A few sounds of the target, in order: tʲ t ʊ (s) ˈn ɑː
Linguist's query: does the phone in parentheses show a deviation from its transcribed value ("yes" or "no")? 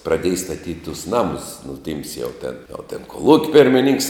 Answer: no